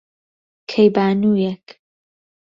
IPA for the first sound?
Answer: kʰ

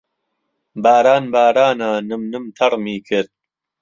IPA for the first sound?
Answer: b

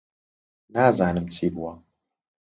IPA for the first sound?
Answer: n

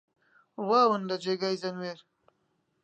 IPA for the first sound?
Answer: w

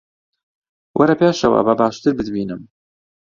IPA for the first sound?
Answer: w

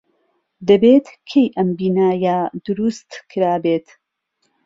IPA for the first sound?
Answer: d̪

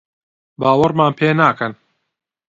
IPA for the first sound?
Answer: b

